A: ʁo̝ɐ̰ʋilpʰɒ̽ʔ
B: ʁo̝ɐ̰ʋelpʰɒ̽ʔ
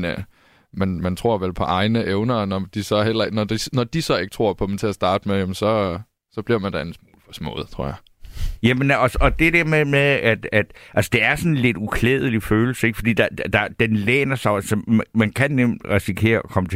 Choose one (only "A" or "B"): B